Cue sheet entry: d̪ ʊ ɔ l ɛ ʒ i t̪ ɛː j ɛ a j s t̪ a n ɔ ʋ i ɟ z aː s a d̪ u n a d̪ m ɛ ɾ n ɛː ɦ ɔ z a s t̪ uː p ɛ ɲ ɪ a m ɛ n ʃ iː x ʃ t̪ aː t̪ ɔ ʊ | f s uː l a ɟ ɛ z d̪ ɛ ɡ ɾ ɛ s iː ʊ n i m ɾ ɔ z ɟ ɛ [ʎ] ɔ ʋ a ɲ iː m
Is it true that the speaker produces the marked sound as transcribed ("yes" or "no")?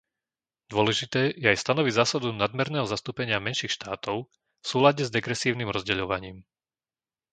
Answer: yes